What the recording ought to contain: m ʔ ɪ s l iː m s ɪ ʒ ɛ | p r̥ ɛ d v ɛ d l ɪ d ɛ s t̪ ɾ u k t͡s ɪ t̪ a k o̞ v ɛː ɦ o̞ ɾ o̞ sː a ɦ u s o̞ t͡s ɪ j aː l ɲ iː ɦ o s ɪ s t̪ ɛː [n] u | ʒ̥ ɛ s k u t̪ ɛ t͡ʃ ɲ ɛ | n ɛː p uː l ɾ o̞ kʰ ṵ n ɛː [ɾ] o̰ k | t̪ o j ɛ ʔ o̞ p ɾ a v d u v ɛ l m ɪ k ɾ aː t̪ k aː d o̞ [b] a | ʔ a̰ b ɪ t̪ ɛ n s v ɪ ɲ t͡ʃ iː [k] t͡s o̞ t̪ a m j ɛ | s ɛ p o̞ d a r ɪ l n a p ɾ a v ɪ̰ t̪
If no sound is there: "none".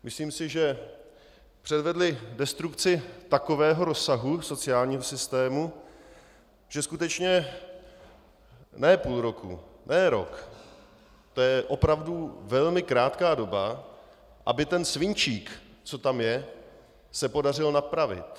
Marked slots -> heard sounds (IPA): m, ɾ, b, k

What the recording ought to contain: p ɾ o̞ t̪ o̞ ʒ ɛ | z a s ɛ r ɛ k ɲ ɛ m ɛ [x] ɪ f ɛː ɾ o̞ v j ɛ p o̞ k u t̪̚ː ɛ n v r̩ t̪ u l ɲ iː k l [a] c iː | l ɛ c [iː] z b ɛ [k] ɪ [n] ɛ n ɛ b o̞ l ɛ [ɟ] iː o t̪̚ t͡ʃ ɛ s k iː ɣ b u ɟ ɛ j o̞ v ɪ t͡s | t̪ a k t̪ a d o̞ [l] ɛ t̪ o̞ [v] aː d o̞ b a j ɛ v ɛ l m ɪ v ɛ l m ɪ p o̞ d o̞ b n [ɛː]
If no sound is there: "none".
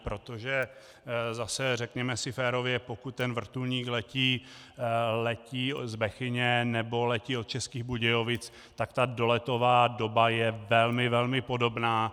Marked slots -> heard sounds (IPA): s, ɛ, iː, x, ɲ, c, l, v, aː

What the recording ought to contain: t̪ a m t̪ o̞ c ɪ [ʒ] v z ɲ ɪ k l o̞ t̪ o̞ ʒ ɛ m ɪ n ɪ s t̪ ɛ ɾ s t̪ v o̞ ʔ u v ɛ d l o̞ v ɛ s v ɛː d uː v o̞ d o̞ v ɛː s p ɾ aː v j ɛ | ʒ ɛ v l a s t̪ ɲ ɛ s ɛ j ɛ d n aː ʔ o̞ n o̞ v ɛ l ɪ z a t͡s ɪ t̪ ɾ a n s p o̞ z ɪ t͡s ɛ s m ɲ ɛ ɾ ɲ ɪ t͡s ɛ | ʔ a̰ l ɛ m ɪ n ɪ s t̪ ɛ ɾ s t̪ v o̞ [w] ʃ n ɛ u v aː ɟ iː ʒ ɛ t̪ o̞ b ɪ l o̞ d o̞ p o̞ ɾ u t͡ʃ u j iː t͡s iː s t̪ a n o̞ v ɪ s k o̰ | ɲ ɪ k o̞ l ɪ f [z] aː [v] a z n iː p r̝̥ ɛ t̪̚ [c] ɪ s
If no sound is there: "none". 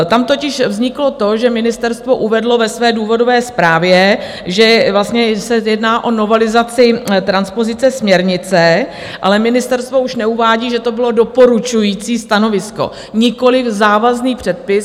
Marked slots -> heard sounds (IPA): ʃ, u, z, v, p

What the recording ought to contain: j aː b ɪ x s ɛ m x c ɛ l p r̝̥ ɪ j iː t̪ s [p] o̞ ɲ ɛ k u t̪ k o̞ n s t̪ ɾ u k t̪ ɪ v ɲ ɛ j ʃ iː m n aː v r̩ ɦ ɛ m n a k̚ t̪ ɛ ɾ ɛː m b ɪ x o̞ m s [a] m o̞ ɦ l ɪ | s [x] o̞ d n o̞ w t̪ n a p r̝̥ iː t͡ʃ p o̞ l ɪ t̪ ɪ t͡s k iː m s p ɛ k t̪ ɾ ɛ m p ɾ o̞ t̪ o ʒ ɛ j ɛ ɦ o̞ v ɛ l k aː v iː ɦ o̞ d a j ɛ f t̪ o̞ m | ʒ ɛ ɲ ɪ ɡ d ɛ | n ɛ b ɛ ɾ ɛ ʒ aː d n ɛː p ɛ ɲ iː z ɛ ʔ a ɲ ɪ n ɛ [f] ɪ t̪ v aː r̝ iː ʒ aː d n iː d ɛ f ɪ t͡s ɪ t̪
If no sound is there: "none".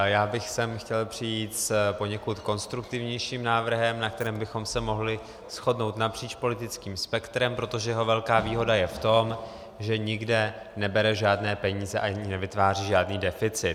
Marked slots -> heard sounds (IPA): p, ɛ, x, v

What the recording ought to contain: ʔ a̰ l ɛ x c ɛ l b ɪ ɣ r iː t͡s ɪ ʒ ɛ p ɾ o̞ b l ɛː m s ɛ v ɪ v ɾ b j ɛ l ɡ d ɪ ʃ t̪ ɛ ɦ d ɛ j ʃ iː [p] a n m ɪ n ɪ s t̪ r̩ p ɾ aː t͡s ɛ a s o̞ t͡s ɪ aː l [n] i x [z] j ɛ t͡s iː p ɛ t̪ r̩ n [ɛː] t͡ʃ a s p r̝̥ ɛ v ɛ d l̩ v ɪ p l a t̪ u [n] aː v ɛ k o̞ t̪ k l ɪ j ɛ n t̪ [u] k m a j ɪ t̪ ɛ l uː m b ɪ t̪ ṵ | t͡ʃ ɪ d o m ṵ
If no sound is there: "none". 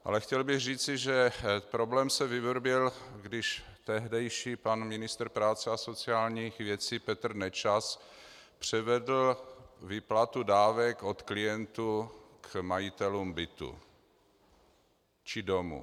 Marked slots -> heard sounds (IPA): p, ɲ, v, ɛ, d, u

